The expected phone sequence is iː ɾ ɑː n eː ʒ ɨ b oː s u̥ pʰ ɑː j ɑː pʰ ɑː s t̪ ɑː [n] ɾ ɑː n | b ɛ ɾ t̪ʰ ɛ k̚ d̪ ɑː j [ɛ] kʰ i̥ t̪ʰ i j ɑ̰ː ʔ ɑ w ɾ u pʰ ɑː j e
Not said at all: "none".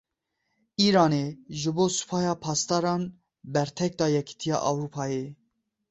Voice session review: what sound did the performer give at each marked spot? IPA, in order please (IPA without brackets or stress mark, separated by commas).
none, ɛ